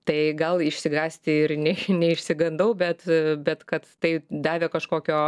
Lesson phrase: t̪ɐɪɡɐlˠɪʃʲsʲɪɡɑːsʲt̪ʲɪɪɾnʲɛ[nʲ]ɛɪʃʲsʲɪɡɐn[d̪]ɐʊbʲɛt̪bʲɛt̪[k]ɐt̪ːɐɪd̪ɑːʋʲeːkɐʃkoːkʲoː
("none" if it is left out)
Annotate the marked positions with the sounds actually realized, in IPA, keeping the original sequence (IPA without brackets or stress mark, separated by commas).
nʲ, d̪, k